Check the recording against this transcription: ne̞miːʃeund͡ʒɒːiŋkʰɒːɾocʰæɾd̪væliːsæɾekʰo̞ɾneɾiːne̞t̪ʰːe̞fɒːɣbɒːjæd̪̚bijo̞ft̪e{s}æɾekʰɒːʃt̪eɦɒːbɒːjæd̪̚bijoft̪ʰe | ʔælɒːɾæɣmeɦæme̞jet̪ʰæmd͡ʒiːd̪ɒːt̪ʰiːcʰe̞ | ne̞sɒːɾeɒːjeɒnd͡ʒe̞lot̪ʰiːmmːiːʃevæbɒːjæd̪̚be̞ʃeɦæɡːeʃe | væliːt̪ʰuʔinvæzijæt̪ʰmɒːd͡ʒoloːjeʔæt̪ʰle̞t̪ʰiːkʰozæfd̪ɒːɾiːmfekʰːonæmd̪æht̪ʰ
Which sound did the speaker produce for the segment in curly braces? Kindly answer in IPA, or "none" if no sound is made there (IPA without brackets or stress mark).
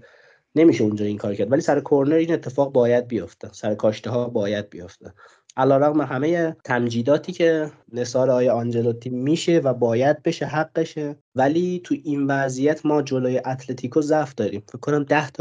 s